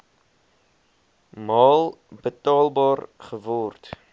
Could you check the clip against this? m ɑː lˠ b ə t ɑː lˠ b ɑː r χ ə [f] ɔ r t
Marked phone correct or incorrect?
incorrect